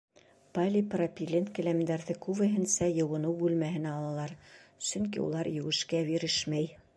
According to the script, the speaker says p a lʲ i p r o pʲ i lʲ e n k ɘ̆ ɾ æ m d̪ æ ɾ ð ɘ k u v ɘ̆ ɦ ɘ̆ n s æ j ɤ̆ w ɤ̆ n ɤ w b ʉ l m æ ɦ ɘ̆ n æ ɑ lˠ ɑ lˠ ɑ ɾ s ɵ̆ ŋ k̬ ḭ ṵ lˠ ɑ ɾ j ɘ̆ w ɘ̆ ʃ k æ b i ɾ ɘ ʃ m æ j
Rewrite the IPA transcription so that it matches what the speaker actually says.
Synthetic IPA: p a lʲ i p r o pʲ i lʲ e n k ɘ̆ l æ m d̪ æ ɾ ð ɘ k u v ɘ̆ ɦ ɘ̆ n s æ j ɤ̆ w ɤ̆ n ɤ w b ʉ l m æ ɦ ɘ̆ n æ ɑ lˠ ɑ lˠ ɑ ɾ s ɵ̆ ŋ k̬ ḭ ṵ lˠ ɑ ɾ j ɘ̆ w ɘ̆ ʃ k æ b i ɾ ɘ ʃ m æ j